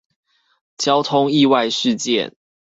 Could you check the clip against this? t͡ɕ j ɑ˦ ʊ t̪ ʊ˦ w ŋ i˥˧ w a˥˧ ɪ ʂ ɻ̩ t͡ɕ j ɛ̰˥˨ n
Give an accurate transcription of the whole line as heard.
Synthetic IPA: t͡ɕ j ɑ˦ ʊ t̪ʰ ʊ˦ ŋ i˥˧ w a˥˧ ɪ ʂ ɻ̩ t͡ɕ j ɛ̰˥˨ n

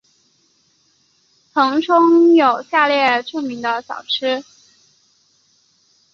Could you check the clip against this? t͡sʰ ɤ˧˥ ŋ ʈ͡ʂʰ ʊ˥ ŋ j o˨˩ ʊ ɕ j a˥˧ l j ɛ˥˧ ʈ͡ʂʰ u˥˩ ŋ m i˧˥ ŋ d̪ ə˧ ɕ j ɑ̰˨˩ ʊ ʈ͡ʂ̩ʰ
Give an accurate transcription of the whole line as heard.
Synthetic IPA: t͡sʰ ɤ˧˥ ŋ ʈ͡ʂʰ ʊ˥ ŋ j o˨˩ ʊ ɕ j a˥˧ l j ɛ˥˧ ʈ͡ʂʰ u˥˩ ŋ m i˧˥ ŋ d̪ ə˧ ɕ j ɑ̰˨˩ ʊ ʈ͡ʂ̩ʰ

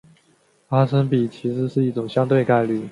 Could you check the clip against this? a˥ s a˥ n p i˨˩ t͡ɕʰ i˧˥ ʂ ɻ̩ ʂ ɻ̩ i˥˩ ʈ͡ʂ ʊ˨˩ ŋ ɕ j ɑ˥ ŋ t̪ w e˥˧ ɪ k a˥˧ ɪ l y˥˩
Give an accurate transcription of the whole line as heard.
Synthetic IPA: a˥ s ə˥ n p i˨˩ t͡ɕʰ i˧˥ ʂ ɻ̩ ʂ ɻ̩ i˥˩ ʈ͡ʂ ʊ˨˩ ŋ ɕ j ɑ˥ ŋ t̪ w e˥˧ ɪ k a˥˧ ɪ l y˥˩

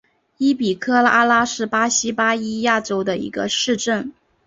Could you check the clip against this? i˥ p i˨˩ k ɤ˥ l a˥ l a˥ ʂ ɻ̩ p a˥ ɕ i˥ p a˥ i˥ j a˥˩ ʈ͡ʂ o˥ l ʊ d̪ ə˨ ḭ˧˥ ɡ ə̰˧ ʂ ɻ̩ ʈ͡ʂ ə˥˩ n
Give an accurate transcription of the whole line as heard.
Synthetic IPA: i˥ p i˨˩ kʰ ɤ˥ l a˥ l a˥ ʂ ɻ̩ p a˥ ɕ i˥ p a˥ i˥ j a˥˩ ʈ͡ʂ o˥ ʊ d̪ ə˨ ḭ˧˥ ɡ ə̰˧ ʂ ɻ̩ ʈ͡ʂ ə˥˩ n

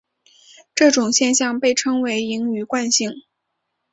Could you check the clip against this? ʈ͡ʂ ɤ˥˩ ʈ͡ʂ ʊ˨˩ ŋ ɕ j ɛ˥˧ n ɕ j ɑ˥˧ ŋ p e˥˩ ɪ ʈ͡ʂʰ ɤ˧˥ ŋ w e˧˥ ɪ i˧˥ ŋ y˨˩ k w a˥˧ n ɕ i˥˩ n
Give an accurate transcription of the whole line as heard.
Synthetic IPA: ʈ͡ʂ ɤ˥˩ ʈ͡ʂ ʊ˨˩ ŋ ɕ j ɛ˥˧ n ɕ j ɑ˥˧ ŋ p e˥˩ ɪ ʈ͡ʂʰ ɤ˥ ŋ w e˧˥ ɪ i˧˥ ŋ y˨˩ k w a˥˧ n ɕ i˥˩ ŋ

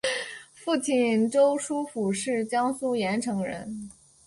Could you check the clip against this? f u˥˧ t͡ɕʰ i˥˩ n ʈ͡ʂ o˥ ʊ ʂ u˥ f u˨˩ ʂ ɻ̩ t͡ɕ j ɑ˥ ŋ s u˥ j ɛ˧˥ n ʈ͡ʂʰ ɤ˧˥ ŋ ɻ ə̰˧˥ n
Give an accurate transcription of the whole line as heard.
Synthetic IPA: f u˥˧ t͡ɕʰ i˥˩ n ʈ͡ʂ o˥ ʊ ʂ u˥ f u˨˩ ʂ ɻ̩ t͡ɕ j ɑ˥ ŋ s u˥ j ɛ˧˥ n ʈ͡ʂʰ ɤ˧˥ ŋ ɻ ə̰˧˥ n

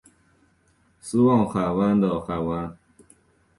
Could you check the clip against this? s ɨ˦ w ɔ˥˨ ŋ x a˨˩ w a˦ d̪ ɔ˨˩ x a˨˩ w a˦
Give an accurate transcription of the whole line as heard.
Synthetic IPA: s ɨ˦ w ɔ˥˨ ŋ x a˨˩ w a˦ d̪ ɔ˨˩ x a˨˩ w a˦

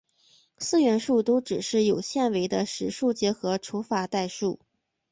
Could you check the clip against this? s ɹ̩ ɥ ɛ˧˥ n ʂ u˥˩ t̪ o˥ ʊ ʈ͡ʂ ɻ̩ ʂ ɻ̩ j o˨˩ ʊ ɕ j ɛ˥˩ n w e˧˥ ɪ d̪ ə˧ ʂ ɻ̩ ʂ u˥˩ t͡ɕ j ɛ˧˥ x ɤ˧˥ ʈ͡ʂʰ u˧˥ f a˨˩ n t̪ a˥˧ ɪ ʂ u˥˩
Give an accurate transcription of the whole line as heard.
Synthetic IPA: s ɹ̩ ɥ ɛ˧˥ n ʂ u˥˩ t̪ o˥ ʊ ʈ͡ʂ ɻ̩ ʂ ɻ̩ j o˨˩ ʊ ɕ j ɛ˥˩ n w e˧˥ ɪ d̪ ə˧ ʂ ɻ̩ ʂ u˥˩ t͡ɕ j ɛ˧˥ x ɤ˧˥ ʈ͡ʂʰ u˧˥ f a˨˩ t̪ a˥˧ ɪ ʂ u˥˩

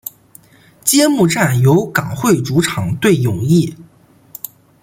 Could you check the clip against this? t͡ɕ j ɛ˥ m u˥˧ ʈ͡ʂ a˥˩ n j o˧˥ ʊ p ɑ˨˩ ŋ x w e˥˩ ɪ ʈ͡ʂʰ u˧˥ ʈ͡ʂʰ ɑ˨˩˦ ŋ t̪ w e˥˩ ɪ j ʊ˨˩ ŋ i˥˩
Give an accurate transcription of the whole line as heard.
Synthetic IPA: t͡ɕ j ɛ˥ m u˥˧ ʈ͡ʂ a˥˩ n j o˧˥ ʊ k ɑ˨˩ ŋ x w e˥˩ ɪ ʈ͡ʂ u˧˥ ʈ͡ʂʰ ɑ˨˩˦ ŋ t̪ w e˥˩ ɪ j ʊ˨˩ ŋ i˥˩

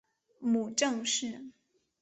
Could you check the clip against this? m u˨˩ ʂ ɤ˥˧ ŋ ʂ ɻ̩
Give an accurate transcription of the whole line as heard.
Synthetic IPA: m u˨˩ ʈ͡ʂ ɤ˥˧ ŋ ʂ ɻ̩

